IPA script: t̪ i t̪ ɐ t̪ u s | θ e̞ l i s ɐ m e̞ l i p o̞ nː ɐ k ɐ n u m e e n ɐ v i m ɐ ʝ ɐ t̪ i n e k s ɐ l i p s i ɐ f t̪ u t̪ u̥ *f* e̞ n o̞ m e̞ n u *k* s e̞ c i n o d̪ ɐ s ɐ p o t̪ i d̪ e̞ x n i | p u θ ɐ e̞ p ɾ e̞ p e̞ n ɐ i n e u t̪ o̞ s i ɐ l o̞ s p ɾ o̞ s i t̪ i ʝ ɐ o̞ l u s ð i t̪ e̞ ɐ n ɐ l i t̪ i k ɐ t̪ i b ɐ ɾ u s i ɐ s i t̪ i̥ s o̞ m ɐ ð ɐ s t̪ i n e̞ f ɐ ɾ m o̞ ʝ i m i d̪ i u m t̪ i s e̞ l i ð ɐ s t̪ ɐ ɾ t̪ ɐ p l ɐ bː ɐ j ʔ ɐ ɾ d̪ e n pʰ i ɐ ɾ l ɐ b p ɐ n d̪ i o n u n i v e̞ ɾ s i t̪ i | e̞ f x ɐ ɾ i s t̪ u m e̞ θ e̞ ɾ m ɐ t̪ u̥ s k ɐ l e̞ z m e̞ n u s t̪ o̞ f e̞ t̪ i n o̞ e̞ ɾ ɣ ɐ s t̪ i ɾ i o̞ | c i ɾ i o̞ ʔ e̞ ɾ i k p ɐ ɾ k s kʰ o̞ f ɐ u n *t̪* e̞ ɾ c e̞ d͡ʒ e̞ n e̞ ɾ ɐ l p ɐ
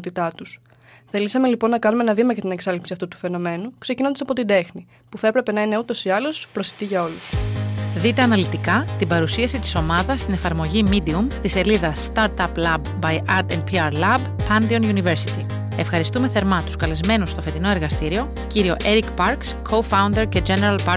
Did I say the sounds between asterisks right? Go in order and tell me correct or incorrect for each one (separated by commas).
correct, correct, incorrect